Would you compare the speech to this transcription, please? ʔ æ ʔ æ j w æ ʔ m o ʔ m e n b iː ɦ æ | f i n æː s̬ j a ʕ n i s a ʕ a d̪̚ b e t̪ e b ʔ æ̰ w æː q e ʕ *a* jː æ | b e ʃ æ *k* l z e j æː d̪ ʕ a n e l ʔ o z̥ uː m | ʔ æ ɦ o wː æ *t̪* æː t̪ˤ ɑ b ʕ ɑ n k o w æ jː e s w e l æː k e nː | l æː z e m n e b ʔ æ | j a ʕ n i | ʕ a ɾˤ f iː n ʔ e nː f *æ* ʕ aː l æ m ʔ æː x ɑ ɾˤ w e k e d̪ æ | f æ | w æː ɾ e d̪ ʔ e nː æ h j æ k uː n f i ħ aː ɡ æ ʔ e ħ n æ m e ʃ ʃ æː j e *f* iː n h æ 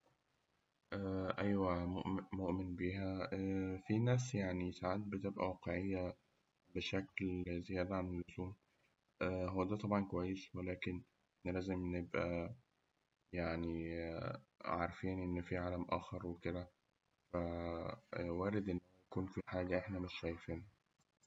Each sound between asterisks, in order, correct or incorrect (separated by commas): incorrect, correct, incorrect, incorrect, correct